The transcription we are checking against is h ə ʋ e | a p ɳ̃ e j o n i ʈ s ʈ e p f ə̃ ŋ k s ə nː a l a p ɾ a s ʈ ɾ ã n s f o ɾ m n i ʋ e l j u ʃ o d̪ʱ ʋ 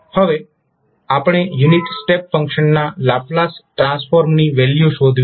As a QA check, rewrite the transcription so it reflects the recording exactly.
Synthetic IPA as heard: h ə ʋ e | a p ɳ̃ e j u n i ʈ s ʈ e p f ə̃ ŋ k ʃ ə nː a l a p l a s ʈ ɾ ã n s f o ɾ m n i ʋ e l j u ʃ o d̪ʱ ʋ